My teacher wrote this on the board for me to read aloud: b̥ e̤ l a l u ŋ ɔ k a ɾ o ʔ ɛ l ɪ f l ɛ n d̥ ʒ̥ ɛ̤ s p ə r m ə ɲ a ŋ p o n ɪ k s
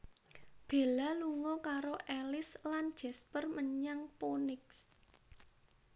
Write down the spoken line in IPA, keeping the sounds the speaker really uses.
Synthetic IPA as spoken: b̥ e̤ l a l u ŋ ɔ k a ɾ o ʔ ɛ l ɪ s l a n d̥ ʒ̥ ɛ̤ s p ə r m ə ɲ a ŋ p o n ɪ k s